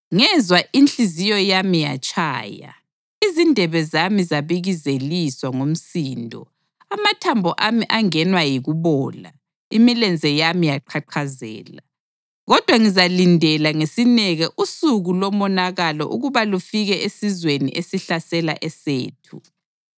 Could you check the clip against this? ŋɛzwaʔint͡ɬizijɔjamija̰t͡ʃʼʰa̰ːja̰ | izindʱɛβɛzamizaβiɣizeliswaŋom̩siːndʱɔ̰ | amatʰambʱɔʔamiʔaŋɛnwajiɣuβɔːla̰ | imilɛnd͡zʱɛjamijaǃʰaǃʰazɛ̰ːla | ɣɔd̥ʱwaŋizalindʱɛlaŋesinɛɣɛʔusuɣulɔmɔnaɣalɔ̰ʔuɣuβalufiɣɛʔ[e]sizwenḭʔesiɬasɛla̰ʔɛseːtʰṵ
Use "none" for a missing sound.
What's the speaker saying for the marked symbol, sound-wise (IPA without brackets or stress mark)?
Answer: e